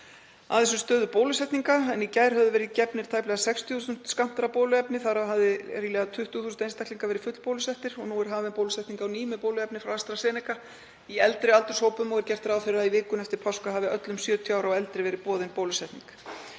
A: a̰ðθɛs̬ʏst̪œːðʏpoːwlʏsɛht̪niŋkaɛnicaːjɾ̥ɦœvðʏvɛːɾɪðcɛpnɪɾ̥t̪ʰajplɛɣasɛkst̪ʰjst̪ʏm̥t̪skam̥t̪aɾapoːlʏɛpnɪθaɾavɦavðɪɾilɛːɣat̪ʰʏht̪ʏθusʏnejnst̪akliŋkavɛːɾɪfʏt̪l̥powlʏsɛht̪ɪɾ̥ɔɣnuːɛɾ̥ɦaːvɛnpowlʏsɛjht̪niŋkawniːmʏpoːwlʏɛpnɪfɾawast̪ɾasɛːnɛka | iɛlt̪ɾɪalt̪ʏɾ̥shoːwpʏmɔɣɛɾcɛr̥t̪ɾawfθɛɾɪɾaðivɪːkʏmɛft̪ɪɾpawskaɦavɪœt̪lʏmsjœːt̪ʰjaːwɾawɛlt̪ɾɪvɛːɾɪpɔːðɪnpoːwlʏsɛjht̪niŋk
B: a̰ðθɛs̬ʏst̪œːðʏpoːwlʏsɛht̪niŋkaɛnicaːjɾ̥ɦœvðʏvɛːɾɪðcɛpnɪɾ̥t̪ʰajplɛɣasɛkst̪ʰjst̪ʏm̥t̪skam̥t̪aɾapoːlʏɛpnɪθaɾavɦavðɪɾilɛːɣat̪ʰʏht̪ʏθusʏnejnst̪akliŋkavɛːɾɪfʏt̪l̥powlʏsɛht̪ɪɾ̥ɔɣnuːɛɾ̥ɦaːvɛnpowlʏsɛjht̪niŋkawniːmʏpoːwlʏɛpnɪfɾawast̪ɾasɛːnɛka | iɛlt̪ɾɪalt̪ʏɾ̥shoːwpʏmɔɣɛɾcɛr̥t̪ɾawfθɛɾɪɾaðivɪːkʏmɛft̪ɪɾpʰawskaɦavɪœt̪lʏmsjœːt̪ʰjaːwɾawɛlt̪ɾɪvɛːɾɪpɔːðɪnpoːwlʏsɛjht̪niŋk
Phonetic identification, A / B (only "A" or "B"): B